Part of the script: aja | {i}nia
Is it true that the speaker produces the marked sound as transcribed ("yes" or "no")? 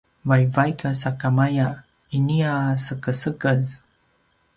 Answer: yes